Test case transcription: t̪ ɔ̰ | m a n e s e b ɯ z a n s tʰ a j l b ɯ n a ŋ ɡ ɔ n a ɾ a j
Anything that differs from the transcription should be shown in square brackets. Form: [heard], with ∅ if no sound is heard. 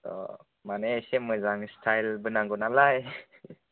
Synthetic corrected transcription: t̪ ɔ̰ | m a n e s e [m] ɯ z a [ŋ] s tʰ a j l b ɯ n a ŋ ɡ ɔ n a [l] a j

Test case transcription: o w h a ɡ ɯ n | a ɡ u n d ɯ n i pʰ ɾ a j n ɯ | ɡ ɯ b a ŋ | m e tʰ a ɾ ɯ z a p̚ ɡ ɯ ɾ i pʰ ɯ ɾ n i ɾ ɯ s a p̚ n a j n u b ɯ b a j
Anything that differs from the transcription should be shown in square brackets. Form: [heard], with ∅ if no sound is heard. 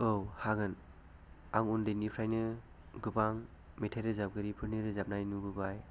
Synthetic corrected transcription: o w h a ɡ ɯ n | a [ŋ] u n d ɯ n i pʰ ɾ a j n ɯ | ɡ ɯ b a ŋ | m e tʰ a ɾ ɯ z a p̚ ɡ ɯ ɾ i pʰ ɯ ɾ n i ɾ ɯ [z] a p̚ n a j n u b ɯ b a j

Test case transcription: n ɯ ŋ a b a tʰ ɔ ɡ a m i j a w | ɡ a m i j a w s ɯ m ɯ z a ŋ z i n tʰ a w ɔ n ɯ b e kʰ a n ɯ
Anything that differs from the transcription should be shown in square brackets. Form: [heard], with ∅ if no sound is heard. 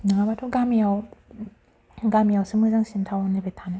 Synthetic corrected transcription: n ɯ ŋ a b a tʰ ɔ ɡ a m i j a w | ɡ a m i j a w s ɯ m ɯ z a ŋ [s] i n tʰ a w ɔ n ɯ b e [tʰ] a n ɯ

